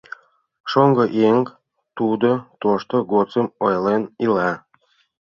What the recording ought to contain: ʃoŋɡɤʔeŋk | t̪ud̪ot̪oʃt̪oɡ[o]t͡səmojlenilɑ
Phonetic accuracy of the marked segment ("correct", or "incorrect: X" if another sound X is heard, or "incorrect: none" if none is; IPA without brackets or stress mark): correct